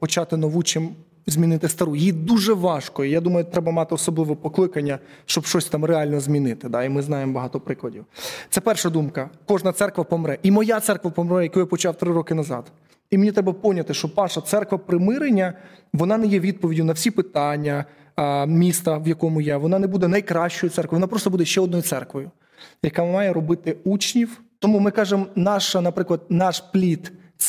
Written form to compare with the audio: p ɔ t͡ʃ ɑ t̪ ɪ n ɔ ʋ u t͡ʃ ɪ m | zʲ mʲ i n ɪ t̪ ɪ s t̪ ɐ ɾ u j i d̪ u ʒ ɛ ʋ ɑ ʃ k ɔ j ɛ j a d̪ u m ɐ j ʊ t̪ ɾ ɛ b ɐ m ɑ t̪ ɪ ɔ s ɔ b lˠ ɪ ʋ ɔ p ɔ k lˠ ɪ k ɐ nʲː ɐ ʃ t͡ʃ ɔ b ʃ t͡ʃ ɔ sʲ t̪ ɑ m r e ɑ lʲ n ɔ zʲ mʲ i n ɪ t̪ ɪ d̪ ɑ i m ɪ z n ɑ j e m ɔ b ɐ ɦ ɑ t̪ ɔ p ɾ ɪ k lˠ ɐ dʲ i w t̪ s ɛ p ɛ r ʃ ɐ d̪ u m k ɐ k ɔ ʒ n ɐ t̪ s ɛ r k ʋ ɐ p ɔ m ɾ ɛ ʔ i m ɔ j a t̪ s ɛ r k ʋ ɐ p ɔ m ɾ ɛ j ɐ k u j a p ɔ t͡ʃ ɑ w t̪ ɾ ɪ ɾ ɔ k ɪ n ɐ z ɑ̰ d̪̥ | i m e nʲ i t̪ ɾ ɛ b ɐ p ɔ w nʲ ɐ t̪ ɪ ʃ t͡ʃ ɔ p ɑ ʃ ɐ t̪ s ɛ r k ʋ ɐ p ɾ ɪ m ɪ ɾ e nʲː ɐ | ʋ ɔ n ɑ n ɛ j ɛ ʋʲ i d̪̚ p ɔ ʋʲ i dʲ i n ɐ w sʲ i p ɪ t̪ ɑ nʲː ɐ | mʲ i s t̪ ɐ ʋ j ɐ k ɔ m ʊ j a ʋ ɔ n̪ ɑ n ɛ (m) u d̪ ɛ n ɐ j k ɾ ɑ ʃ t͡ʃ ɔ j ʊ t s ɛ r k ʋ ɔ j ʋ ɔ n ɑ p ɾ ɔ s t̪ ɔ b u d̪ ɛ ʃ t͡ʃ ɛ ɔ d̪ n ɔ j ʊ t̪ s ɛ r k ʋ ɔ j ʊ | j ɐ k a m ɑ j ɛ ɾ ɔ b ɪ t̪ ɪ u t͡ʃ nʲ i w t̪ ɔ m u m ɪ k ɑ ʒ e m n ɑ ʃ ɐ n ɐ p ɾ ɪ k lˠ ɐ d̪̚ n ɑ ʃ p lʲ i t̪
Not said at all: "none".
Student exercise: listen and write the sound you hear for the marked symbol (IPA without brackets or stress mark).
b